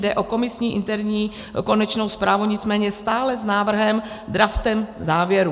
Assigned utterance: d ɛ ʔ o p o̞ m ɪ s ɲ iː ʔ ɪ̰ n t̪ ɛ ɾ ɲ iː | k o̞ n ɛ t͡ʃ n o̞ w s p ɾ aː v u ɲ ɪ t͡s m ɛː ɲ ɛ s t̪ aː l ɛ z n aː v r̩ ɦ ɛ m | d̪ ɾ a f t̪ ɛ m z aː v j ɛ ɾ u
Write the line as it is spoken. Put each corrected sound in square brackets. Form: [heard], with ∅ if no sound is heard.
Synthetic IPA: d ɛ ʔ o [k] o̞ m ɪ s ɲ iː ʔ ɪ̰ n t̪ ɛ ɾ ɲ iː | k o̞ n ɛ t͡ʃ n o̞ w s p ɾ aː v u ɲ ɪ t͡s m ɛː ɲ ɛ s t̪ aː l ɛ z n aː v r̩ ɦ ɛ m | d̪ ɾ a f t̪ ɛ m z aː v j ɛ ɾ u